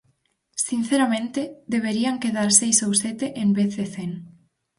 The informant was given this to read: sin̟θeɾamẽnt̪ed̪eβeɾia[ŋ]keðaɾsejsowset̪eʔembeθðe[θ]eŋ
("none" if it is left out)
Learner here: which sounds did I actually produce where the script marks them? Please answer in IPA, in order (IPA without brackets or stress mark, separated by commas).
ŋ, θ